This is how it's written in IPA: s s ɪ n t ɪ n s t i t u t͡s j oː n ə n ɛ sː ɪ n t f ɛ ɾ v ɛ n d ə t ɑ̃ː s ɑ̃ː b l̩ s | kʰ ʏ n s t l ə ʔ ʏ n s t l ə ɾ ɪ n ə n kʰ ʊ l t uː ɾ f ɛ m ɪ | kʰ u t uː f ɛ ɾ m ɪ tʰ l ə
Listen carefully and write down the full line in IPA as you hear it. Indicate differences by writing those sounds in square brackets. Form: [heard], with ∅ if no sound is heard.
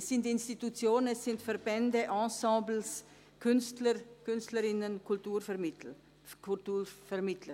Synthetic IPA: s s ɪ n t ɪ n s t i t u t͡s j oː n ə n ɛ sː ɪ n t f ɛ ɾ [b] ɛ n d ə [ʔ] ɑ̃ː s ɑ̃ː b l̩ s | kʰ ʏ n s t l ə [k] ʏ n s t l ə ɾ ɪ n ə n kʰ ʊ l t uː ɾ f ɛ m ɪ | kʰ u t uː f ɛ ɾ m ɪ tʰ l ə

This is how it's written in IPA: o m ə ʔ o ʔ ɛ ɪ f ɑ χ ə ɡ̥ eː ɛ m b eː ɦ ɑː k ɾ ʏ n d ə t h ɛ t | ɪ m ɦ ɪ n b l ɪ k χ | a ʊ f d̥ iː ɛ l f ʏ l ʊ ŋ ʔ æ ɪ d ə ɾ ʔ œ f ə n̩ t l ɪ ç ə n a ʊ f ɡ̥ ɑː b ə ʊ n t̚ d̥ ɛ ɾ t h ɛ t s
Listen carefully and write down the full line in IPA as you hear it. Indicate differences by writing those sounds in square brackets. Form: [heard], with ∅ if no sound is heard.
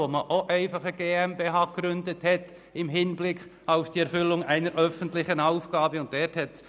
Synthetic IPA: o m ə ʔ o ʔ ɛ ɪ f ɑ χ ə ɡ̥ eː ɛ m b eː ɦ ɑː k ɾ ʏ n d ə t h ɛ t | ɪ m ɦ ɪ n b l ɪ k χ | a ʊ f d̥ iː ɛ [ɾ] f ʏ l ʊ ŋ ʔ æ ɪ [n] ə ɾ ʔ œ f ə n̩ t l ɪ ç ə n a ʊ f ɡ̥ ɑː b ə ʊ n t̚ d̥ ɛ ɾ t h ɛ t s

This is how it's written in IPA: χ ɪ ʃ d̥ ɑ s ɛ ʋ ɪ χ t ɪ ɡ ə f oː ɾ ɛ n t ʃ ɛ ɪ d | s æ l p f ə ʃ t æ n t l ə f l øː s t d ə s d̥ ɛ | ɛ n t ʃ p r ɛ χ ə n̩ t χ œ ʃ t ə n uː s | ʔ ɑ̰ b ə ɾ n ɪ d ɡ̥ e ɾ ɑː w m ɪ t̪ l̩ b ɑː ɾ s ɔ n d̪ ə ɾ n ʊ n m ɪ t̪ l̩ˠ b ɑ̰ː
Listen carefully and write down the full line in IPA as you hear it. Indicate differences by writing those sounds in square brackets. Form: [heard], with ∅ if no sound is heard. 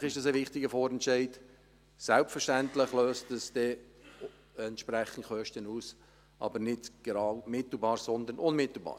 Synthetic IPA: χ ɪ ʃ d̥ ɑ s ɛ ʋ ɪ χ t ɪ ɡ ə f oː ɾ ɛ n t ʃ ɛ ɪ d | s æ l p f ə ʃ t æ n t l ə [χ] l øː s t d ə s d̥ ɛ | ɛ n t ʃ p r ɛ χ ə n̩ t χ œ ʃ t ə n uː s | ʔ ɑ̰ b ə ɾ n ɪ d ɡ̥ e ɾ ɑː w m ɪ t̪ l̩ b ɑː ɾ s ɔ n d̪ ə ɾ n ʊ n m ɪ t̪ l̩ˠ b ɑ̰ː

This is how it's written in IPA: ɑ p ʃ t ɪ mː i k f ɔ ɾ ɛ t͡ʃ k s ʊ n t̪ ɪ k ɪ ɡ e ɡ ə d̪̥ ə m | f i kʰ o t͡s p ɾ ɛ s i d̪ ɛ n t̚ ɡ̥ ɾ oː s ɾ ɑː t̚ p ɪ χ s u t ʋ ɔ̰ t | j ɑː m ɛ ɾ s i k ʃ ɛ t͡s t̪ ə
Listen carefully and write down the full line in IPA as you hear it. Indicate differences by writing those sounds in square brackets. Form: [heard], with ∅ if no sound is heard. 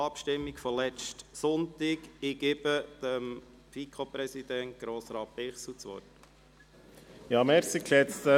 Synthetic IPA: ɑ p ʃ t ɪ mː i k f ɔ [l] ɛ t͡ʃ [t] s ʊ n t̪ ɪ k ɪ ɡ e [b] ə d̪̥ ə m | f i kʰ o [∅] p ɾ ɛ s i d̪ ɛ n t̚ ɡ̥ ɾ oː s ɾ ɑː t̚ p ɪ χ s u [t͡s] ʋ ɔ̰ t | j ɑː m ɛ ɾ s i k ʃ ɛ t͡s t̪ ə

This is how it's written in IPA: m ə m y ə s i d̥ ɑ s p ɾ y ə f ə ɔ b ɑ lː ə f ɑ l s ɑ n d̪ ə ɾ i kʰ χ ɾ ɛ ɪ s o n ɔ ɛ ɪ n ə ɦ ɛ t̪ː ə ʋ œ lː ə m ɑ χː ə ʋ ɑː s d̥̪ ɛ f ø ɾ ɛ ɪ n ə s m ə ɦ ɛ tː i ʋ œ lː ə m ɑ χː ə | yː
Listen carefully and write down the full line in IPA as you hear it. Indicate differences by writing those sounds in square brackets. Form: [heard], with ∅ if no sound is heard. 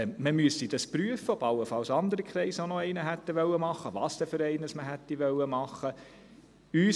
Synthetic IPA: m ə m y ə s i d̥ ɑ s p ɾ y ə f ə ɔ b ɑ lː ə f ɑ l s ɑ n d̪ ə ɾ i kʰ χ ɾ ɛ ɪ s o n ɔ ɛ ɪ n ə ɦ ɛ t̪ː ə ʋ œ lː ə m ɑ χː ə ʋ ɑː s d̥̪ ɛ f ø ɾ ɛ ɪ n ə s m ə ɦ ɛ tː i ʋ œ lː ə m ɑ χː ə | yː

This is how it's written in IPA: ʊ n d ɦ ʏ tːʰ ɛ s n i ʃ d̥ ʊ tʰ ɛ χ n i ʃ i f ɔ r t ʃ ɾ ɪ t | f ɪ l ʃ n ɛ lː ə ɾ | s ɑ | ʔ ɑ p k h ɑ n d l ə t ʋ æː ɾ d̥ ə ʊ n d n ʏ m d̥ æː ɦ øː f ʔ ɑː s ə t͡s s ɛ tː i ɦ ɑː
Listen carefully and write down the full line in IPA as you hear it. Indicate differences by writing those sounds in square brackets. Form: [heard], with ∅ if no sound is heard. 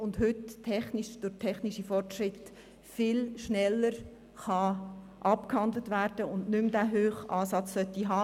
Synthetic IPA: ʊ n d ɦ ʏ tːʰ ɛ [χ] n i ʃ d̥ ʊ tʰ ɛ χ n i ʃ i f ɔ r t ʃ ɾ ɪ t | f ɪ l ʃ n ɛ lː ə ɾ | [χ] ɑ | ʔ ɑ p k h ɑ n d l ə t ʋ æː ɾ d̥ ə ʊ n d n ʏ m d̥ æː ɦ øː [χ] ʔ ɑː s [ɑ] t͡s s [œ] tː i ɦ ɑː

